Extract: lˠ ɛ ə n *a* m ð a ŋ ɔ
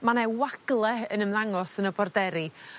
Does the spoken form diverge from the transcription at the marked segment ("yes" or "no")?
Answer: yes